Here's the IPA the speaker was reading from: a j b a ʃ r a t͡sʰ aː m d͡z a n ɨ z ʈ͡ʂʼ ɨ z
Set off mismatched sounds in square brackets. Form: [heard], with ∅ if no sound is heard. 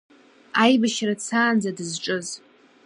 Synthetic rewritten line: a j b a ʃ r a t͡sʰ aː [n] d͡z a [d] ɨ z ʈ͡ʂʼ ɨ z